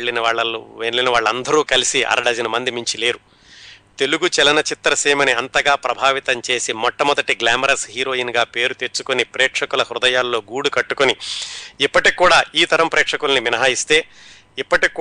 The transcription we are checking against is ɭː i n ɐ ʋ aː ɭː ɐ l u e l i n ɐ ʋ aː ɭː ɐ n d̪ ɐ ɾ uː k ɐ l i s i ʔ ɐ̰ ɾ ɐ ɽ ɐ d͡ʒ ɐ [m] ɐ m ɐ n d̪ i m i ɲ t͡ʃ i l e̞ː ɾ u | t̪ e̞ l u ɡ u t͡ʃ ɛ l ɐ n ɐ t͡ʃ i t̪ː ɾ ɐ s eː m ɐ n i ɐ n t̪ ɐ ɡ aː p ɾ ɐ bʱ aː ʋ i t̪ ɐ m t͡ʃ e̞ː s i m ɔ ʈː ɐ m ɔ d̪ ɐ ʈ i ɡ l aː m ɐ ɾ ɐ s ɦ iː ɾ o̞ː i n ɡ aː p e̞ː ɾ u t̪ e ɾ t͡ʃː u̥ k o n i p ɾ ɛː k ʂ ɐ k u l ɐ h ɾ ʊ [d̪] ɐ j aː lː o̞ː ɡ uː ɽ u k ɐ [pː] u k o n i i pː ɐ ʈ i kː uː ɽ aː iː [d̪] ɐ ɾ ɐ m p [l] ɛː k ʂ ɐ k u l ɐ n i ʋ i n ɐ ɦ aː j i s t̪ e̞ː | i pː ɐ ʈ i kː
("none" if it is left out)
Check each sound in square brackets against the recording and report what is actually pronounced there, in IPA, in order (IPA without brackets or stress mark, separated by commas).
n, d̪, ʈː, t̪, ɾ